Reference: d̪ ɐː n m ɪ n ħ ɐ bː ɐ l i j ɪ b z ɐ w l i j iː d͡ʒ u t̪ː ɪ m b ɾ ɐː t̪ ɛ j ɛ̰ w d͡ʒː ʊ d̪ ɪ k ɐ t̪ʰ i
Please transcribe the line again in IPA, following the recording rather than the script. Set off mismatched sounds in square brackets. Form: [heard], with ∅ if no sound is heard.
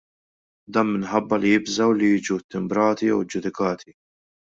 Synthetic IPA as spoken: d̪ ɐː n m ɪ n ħ ɐ bː ɐ l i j ɪ b z ɐ w l i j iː d͡ʒ u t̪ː ɪ m b ɾ ɐː t̪ [i] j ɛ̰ w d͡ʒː ʊ d̪ ɪ k [ɐː] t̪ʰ i